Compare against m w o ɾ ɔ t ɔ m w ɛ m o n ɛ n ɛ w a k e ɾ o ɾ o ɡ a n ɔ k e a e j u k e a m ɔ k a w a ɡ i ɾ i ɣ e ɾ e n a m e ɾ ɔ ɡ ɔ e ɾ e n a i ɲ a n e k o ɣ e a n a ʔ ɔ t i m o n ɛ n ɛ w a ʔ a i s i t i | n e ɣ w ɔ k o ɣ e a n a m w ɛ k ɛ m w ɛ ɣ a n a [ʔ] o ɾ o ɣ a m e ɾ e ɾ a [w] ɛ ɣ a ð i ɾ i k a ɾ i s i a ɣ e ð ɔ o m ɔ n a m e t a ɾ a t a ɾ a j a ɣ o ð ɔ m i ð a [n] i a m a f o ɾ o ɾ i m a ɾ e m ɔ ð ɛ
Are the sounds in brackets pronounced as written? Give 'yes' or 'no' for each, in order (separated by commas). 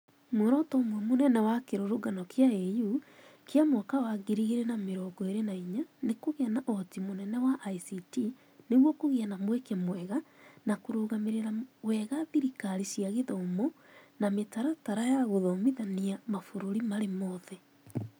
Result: no, yes, yes